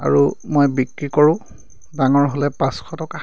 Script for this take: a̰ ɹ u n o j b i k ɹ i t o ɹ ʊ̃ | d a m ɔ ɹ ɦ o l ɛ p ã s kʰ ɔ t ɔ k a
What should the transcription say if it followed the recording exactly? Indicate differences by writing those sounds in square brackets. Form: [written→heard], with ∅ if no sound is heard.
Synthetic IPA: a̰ ɹ u [n→m] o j b i k ɹ i [t→k] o ɹ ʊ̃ | d a [m→ŋ] ɔ ɹ ɦ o l ɛ p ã s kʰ ɔ t ɔ k a